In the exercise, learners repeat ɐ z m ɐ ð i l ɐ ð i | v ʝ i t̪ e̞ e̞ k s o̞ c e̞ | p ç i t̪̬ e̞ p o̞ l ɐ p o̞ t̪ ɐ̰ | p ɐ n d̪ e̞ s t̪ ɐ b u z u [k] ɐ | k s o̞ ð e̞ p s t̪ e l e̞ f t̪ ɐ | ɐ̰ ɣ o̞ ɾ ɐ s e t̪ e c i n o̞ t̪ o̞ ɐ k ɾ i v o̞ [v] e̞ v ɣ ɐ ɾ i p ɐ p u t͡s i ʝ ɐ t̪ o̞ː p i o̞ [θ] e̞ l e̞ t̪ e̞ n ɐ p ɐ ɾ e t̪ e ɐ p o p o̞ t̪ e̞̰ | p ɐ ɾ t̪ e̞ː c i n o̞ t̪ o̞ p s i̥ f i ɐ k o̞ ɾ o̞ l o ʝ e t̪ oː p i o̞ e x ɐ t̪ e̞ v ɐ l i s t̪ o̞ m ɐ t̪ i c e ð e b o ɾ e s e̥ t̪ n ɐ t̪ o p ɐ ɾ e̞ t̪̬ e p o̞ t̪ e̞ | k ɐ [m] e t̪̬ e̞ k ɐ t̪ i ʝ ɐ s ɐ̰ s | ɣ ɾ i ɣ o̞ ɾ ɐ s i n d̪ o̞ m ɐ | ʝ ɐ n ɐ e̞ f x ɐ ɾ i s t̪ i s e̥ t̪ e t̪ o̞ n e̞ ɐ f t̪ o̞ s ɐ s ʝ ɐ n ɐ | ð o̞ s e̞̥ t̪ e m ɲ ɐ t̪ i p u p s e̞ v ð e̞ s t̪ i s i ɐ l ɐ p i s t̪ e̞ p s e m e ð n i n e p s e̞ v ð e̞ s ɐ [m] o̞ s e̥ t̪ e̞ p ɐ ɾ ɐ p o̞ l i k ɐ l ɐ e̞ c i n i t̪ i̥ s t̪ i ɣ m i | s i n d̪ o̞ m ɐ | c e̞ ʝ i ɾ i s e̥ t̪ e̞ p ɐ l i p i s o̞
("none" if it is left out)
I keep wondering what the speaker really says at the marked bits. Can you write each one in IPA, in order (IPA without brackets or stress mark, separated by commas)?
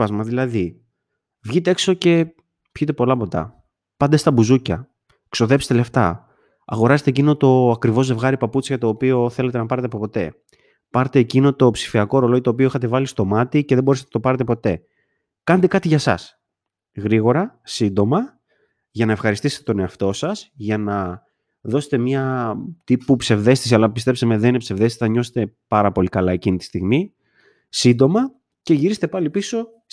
c, z, θ, n, ɲ